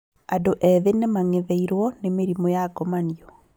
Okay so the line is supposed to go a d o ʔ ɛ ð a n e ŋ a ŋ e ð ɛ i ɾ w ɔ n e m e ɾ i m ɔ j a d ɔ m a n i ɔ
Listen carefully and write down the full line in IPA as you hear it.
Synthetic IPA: a d o ʔ ɛ ð e n e m a ŋ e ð ɛ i ɾ w ɔ n e m e ɾ i m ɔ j a ɡ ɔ m a n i ɔ